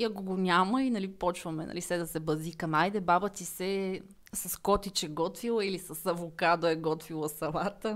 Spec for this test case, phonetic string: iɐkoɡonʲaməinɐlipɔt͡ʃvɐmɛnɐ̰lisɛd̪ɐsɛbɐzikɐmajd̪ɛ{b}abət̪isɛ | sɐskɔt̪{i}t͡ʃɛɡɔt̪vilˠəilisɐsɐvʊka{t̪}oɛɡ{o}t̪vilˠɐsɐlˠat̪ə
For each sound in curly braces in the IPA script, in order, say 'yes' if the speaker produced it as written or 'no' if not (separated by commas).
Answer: yes, yes, no, no